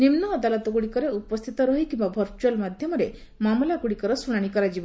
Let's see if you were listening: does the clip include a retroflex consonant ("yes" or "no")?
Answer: yes